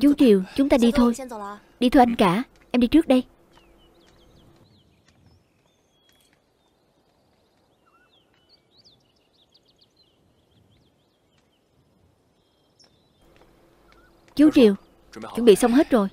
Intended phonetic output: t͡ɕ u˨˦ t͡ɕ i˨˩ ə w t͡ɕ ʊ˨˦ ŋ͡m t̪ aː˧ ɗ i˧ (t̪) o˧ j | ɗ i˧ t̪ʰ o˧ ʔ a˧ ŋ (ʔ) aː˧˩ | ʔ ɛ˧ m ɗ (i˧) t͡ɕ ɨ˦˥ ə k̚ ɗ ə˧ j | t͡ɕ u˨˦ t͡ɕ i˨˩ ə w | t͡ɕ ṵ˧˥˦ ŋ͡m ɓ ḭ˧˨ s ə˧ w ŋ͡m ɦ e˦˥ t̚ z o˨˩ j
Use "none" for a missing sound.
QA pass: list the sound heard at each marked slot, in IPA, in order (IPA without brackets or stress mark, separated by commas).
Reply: t̪ʰ, k, i˧